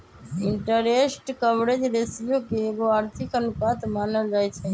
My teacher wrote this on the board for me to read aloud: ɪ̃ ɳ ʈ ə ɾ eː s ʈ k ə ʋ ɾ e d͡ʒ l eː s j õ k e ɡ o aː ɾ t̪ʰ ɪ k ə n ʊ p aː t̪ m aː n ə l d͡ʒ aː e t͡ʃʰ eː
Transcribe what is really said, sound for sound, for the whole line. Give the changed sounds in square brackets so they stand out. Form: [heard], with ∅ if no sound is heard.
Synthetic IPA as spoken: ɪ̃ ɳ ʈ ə ɾ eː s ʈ k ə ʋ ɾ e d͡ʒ [ɾ] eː s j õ k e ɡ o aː ɾ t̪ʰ ɪ k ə n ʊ [k] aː t̪ m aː n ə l d͡ʒ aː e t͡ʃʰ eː